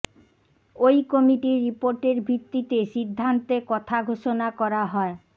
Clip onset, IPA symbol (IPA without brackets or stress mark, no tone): o